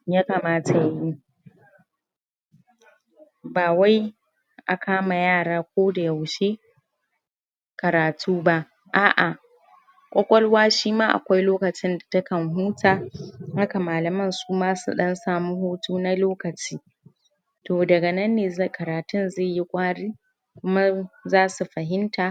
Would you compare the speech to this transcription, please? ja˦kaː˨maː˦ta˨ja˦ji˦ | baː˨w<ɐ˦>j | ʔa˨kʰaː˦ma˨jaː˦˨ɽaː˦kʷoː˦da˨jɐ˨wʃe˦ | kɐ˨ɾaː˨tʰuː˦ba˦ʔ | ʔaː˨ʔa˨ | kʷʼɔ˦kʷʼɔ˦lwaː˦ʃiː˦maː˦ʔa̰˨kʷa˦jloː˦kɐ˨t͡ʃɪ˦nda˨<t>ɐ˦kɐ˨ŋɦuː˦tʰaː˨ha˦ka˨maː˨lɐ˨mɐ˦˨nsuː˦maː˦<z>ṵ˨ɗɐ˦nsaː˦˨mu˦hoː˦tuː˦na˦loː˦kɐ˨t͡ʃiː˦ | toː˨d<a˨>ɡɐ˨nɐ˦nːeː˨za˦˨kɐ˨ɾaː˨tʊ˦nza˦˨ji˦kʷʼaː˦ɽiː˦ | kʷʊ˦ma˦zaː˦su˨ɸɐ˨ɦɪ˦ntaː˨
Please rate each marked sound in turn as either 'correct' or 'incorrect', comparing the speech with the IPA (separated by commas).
incorrect, correct, incorrect, incorrect